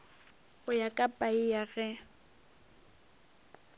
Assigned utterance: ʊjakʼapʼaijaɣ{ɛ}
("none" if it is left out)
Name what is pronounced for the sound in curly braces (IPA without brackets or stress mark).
ɛ